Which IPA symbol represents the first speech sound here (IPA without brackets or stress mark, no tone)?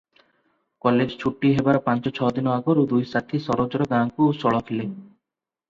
k